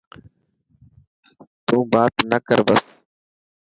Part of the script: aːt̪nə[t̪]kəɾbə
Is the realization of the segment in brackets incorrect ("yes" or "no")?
yes